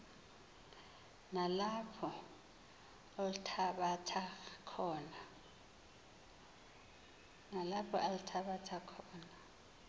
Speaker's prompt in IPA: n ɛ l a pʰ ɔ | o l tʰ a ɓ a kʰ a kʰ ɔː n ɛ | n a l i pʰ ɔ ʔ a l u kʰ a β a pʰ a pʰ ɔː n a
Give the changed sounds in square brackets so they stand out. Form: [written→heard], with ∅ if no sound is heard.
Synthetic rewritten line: n [ɛ→a] l a pʰ ɔ | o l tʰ a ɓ a [kʰ→tʰ] a kʰ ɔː n [ɛ→a] | n a l [i→a] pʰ ɔ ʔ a l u [kʰ→tʰ] a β a [pʰ→tʰ] a [pʰ→kʰ] ɔː n a

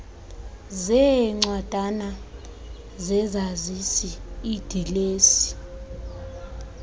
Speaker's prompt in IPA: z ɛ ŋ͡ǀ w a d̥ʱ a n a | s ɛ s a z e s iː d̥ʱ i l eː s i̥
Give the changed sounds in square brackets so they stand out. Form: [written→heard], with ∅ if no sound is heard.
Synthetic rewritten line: z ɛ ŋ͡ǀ w a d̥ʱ a n a | [s→z] ɛ [s→z] a z [e→i] s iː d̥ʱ i l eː s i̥

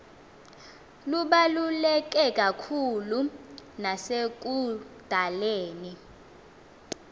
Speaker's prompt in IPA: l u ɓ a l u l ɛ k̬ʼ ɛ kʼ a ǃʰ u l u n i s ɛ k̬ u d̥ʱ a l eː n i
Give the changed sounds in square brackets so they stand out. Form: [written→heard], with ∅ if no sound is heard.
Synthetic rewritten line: l u ɓ a l u l ɛ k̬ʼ ɛ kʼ a [ǃʰ→kʰ] u l u n [i→a] s [ɛ→e] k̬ u d̥ʱ a l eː n i

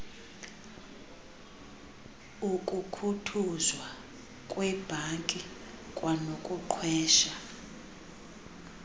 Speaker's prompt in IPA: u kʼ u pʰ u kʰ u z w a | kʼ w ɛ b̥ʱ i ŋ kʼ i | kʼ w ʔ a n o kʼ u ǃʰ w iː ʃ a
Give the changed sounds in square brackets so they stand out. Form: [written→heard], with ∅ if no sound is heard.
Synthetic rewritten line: u kʼ u [pʰ→kʰ] u [kʰ→tʰ] u z w a | kʼ w ɛ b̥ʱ [i→a] ŋ kʼ i | kʼ w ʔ a n o kʼ u ǃʰ w [iː→ɛː] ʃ a

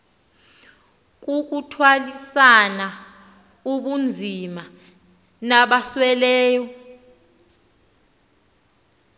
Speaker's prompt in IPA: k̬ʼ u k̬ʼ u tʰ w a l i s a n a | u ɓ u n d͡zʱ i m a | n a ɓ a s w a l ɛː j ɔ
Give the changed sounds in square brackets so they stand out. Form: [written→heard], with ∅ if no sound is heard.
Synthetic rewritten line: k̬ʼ u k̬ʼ u tʰ w a l i s a n a | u ɓ u n d͡zʱ i m a | n a ɓ a s w [a→ɛ] l ɛː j ɔ

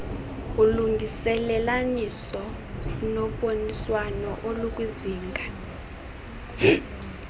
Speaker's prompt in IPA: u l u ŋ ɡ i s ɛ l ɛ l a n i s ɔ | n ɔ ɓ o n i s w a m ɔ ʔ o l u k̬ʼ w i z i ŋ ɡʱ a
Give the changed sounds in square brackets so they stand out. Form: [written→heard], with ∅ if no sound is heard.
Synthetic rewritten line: u l u ŋ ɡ i s ɛ l ɛ l a n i s ɔ | n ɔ ɓ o n i s w a [m→n] ɔ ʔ o l u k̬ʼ w i z [i→iː] ŋ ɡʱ a

